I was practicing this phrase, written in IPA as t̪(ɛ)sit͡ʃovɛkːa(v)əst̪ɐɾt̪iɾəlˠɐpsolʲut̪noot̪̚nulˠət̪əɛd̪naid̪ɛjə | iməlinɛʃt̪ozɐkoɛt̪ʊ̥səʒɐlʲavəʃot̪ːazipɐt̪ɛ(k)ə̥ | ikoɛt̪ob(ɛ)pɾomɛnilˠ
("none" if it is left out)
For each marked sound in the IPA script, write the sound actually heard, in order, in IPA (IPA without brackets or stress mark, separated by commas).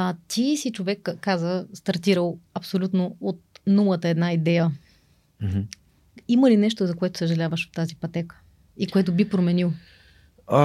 i, z, k, i